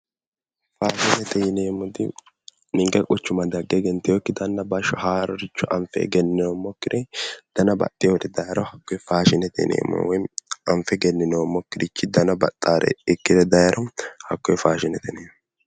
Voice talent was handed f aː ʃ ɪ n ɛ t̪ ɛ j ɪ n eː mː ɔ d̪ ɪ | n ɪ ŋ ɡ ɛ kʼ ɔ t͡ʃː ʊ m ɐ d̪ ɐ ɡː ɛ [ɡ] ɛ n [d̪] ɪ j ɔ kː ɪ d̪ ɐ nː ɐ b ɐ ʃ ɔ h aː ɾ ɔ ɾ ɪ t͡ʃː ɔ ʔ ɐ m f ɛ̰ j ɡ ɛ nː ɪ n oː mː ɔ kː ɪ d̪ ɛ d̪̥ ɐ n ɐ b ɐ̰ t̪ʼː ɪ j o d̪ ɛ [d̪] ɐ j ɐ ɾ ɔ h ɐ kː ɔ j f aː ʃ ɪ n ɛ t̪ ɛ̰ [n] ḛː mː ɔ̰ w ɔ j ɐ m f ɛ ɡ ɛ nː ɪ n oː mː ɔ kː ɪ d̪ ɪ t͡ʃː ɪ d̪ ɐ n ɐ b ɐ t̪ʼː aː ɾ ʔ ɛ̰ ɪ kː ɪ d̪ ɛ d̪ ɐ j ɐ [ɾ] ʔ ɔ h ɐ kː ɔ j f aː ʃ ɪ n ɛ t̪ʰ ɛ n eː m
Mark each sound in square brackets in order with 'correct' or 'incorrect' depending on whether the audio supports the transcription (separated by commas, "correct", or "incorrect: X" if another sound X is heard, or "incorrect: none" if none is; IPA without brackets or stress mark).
correct, incorrect: t̪, correct, correct, correct